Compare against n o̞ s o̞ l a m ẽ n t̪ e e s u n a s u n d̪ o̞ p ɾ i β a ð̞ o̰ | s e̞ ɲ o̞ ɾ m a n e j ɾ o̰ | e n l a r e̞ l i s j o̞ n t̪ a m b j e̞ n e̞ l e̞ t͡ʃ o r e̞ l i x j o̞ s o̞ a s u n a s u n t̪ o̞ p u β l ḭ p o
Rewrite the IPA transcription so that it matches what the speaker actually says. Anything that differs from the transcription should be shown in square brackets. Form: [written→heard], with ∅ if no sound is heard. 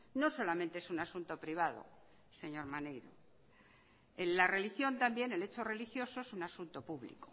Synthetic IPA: n o̞ s o̞ l a m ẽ n t̪ e e s u n a s u n [d̪→t̪] o̞ p ɾ i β a ð̞ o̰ | s e̞ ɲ o̞ ɾ m a n e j ɾ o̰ | e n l a r e̞ l i [s→x] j o̞ n t̪ a m b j e̞ n e̞ l e̞ t͡ʃ o r e̞ l i x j o̞ s o̞ [a→e] s u n a s u n t̪ o̞ p u β l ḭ [p→k] o

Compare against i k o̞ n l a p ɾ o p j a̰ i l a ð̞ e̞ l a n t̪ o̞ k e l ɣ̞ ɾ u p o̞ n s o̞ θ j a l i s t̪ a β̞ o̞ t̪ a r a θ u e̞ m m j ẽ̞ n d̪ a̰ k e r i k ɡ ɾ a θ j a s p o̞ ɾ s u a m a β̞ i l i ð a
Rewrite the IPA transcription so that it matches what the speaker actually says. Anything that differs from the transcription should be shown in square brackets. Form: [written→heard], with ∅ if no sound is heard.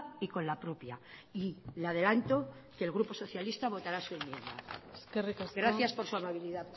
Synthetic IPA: i k o̞ n l a p ɾ o p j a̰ i l a ð̞ e̞ l a n t̪ o̞ k e l ɣ̞ ɾ u p o̞ [n→∅] s o̞ θ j a l i s t̪ a β̞ o̞ t̪ a [r→ɾ] a [θ→s] u e̞ m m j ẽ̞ n d̪ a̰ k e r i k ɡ ɾ a θ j a s p o̞ ɾ s u a m a β̞ i l i ð a

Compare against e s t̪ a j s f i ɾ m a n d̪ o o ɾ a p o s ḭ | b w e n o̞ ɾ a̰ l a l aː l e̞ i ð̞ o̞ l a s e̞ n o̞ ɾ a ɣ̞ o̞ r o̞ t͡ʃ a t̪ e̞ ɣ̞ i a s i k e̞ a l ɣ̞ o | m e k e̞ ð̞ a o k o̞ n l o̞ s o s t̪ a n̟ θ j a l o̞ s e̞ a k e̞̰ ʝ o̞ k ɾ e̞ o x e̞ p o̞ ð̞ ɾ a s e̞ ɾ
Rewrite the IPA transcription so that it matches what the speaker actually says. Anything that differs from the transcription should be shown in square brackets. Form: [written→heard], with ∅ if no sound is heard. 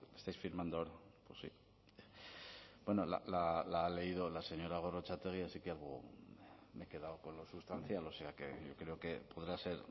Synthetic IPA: e s t̪ a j s f i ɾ m a n d̪ o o ɾ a p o s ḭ | b w e n o̞ [ɾ→l] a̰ l a l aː l e̞ i ð̞ o̞ l a s e̞ [n→ɲ] o̞ ɾ a ɣ̞ o̞ r o̞ t͡ʃ a t̪ e̞ ɣ̞ i a s i k e̞ a l ɣ̞ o | m e k e̞ ð̞ a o k o̞ n l o̞ s [o→u] s t̪ a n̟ θ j a l o̞ s e̞ a k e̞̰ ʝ o̞ k ɾ e̞ o [x→k] e̞ p o̞ ð̞ ɾ a s e̞ ɾ

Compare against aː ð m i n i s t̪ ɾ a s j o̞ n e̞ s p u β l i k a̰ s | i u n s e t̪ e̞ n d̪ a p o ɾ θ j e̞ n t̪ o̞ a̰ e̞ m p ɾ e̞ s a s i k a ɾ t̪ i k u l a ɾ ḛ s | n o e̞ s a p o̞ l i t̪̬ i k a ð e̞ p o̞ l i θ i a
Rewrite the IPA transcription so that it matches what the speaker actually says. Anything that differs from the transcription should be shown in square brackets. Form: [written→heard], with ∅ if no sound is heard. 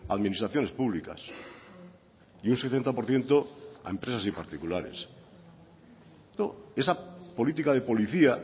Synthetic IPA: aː ð m i n i s t̪ ɾ a [s→θ] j o̞ n e̞ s p u β l i k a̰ s | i u n s e t̪ e̞ n [d̪→t̪] a p o ɾ θ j e̞ n t̪ o̞ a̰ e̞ m p ɾ e̞ s a s i [k→p] a ɾ t̪ i k u l a ɾ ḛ s | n o e̞ s a p o̞ l i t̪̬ i k a ð e̞ p o̞ l i θ i a

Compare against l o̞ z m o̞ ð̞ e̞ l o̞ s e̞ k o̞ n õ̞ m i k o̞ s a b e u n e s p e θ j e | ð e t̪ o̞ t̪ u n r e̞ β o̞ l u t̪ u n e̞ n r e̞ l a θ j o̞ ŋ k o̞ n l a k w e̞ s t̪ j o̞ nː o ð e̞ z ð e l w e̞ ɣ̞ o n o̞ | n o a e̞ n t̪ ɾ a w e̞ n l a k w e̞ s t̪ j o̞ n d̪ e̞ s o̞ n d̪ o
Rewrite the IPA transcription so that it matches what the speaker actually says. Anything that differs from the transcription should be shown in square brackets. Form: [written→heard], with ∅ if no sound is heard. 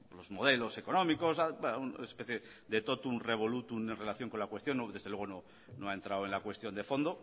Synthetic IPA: l o̞ z m o̞ ð̞ e̞ l o̞ s e̞ k o̞ n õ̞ m i k o̞ s a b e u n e s p e θ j e | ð e t̪ o̞ t̪ u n r e̞ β o̞ l u t̪ u n e̞ n r e̞ l a θ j o̞ ŋ k o̞ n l a k w e̞ s t̪ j o̞ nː o ð e̞ z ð e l w e̞ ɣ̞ o n o̞ | n o a e̞ n t̪ ɾ a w e̞ n l a k w e̞ s t̪ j o̞ n d̪ e̞ [s→f] o̞ n d̪ o

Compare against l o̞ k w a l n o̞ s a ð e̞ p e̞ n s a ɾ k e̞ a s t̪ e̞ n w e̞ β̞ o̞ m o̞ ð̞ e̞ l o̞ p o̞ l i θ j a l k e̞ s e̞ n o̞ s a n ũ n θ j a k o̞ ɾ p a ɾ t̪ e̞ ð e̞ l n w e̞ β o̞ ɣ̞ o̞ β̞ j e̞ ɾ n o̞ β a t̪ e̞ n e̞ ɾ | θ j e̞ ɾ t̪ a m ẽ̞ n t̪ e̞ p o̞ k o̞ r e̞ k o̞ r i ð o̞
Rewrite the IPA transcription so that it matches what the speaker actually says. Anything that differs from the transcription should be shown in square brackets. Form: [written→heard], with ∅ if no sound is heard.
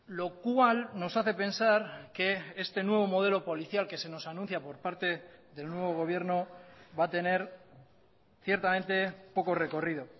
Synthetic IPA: l o̞ k w a l n o̞ s a [ð→θ] e̞ p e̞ n s a ɾ k e̞ [a→e] s t̪ e̞ n w e̞ β̞ o̞ m o̞ ð̞ e̞ l o̞ p o̞ l i θ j a l k e̞ s e̞ n o̞ s a n ũ n θ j a [k→p] o̞ ɾ p a ɾ t̪ e̞ ð e̞ l n w e̞ β o̞ ɣ̞ o̞ β̞ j e̞ ɾ n o̞ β a t̪ e̞ n e̞ ɾ | θ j e̞ ɾ t̪ a m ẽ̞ n t̪ e̞ p o̞ k o̞ r e̞ k o̞ r i ð o̞

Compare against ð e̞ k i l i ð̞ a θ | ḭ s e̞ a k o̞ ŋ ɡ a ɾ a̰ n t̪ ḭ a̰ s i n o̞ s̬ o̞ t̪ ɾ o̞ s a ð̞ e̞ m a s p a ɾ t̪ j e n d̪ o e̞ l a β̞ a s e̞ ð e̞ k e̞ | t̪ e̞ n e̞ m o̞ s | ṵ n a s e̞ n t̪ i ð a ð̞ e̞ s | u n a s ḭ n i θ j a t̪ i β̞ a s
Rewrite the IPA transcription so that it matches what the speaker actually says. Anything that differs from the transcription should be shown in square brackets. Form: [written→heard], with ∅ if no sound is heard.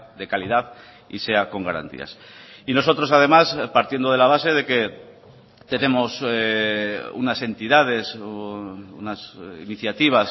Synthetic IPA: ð e̞ k [i→a] l i ð̞ a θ | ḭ s e̞ a k o̞ ŋ ɡ a ɾ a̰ n t̪ ḭ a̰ s i n o̞ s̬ o̞ t̪ ɾ o̞ s a ð̞ e̞ m a s p a ɾ t̪ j e n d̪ o e̞ l a β̞ a s e̞ ð e̞ k e̞ | t̪ e̞ n e̞ m o̞ s | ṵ n a s e̞ n t̪ i ð a ð̞ e̞ s | u n a s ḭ n i θ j a t̪ i β̞ a s

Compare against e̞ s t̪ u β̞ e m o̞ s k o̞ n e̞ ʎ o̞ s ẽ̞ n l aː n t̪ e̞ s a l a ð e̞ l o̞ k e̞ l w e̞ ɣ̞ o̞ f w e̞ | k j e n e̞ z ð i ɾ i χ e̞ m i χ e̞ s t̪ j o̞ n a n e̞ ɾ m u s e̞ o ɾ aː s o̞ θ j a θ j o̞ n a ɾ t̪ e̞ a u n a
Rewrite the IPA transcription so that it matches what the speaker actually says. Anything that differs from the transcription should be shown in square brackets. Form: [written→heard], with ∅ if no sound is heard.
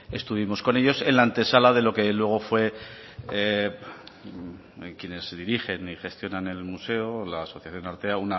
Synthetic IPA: e̞ s t̪ u β̞ [e→i] m o̞ s k o̞ n e̞ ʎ o̞ s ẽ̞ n l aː n t̪ e̞ s a l a ð e̞ l o̞ k e̞ l w e̞ ɣ̞ o̞ f w e̞ | k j e n e̞ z ð i ɾ i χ e̞ [m→n] i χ e̞ s t̪ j o̞ n a n e̞ [ɾ→l] m u s e̞ o [ɾ→l] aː s o̞ θ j a θ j o̞ n a ɾ t̪ e̞ a u n a

